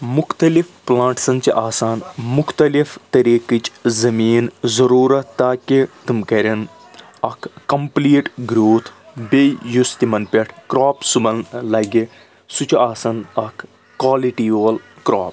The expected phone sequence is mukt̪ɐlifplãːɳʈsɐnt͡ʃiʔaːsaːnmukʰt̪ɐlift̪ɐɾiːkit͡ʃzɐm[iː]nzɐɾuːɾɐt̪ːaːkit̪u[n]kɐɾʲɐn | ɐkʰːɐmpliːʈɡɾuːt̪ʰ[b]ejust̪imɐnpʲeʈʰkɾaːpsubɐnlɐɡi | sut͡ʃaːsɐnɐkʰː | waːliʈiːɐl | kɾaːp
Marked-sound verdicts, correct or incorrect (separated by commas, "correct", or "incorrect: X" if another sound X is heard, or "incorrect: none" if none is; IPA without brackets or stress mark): correct, incorrect: m, correct